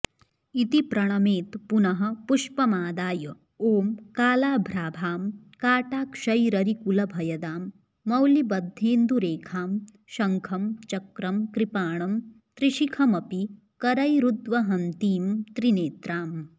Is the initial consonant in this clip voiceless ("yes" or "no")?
yes